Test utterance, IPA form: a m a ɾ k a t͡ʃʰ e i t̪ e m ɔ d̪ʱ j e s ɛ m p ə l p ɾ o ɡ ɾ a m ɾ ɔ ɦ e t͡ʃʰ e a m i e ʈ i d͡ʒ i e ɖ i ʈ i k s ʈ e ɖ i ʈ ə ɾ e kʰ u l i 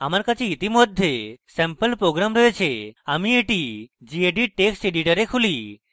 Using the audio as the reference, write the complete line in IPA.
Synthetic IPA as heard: a m a ɾ k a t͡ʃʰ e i t̪ i m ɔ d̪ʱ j e s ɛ m p ə l p ɾ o ɡ ɾ a m ɾ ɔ ɦ e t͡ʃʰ e a m i e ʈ i d͡ʒ i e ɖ i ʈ e k s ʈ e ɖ i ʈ ə ɾ e kʰ u l i

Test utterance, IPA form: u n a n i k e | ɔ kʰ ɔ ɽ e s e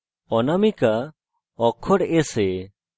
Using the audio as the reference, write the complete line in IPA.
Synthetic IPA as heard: ɔ n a m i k a | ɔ kʰ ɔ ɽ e s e

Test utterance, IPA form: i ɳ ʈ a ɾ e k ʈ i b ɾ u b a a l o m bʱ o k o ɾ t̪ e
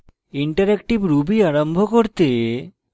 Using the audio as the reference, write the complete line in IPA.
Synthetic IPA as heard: i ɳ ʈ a ɾ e k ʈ i b ɾ u b i a ɾ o m bʱ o k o ɾ t̪ e

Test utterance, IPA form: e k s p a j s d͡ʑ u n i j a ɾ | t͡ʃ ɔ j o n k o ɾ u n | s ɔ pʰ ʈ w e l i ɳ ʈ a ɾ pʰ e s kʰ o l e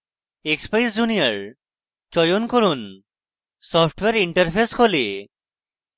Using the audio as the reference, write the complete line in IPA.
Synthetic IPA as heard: e k s p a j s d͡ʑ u n i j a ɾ | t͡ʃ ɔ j o n k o ɾ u n | s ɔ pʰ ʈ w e ɾ i ɳ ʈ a ɾ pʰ e s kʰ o l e

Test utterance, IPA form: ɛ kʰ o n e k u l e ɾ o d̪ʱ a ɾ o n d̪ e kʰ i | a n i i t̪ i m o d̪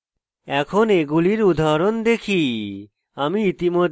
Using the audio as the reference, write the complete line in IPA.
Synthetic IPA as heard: ɛ kʰ o n e ɡ u l i ɾ u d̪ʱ a ɾ o n d̪ e kʰ i | a m i i t̪ i m o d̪

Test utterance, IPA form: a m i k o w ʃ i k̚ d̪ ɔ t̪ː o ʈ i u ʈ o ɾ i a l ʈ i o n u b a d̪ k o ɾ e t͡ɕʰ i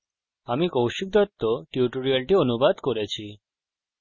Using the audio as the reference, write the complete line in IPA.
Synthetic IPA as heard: a m i k o w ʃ i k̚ d̪ ɔ t̪ː o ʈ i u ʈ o ɾ i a l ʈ i o n u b a d̪ k o ɾ e t͡ɕʰ i

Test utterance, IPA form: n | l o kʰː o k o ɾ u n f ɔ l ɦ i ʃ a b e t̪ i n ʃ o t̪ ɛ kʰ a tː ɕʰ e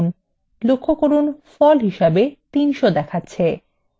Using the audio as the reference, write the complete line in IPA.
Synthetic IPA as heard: n | l o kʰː o k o ɾ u n f ɔ l ɦ i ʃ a b e t̪ i n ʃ o d̪ ɛ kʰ a tː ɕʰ e

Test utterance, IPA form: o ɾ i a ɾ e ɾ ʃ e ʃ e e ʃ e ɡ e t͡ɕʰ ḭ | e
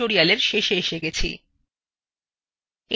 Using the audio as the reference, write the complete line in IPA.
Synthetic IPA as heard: o ɾ i a l e ɾ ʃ e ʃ e e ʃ e ɡ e t͡ɕʰ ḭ | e

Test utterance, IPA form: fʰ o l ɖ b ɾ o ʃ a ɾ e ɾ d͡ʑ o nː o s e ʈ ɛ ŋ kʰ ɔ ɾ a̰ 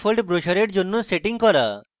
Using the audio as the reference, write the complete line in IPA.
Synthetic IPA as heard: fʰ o l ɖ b ɾ o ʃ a ɾ e ɾ d͡ʑ o nː o s e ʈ i ŋ k ɔ ɾ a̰

